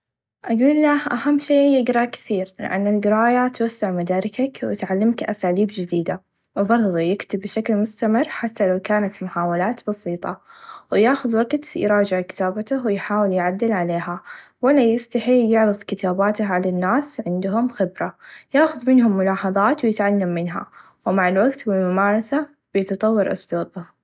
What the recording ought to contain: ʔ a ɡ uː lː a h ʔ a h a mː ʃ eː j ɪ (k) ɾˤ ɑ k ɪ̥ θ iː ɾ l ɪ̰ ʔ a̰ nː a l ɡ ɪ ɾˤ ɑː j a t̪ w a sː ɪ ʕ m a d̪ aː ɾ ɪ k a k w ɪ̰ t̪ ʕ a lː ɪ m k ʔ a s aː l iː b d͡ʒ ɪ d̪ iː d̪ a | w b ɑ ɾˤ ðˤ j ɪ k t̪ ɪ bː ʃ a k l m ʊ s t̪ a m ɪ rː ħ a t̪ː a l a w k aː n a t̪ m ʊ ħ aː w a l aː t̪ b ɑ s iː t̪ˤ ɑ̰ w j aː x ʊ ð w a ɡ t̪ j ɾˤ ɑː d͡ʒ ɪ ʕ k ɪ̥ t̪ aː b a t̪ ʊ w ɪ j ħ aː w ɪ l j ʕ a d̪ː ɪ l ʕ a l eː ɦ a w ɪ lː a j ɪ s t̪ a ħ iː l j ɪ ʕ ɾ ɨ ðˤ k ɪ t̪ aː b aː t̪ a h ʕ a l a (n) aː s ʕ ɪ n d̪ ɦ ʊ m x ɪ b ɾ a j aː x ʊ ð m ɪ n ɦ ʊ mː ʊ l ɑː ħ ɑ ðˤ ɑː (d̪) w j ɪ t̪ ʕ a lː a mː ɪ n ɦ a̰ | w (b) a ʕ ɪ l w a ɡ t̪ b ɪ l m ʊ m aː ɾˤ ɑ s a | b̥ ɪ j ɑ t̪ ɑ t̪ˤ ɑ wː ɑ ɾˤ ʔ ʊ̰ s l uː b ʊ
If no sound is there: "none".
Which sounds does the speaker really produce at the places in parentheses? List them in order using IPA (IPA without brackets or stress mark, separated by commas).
ɡ, nː, t̪, m